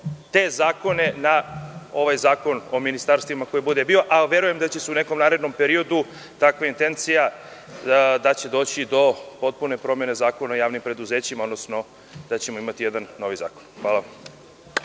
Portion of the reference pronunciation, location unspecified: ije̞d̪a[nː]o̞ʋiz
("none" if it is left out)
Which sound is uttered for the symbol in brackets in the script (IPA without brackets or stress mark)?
nː